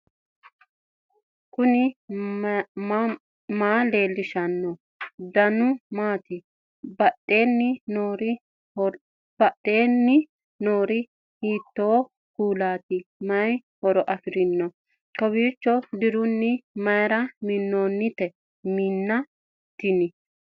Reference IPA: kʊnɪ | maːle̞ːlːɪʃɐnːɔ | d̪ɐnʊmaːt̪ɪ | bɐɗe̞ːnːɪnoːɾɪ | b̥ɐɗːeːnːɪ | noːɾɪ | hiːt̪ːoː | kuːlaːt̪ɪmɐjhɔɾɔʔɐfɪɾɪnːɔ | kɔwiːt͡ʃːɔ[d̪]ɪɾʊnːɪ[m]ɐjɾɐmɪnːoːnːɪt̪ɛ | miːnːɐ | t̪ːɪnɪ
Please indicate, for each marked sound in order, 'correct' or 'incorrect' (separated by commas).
correct, correct